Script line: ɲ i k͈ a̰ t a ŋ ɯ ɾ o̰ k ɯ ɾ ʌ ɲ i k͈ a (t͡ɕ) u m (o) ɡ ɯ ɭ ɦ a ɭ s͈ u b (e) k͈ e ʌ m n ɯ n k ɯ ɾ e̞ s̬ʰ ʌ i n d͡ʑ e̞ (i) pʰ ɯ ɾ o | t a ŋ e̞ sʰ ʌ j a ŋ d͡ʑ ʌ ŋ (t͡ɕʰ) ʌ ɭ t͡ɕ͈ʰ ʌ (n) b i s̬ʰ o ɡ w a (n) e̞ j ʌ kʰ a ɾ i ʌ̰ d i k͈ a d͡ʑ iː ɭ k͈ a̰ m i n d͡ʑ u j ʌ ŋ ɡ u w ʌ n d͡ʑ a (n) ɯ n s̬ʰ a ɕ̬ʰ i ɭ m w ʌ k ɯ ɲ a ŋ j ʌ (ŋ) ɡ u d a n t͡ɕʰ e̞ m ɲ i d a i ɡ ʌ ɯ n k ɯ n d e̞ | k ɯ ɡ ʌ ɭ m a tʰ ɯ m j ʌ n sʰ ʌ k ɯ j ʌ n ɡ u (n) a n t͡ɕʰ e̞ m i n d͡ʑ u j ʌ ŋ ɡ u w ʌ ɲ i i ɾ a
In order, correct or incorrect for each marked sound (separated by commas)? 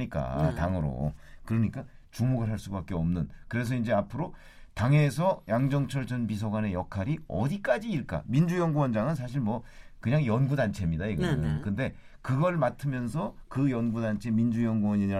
correct, correct, incorrect, incorrect, correct, correct, correct, incorrect, incorrect, incorrect